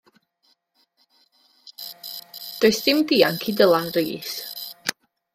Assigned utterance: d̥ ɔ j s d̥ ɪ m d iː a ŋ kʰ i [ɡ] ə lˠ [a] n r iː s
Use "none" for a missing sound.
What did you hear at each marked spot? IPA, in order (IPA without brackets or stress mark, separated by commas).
d, a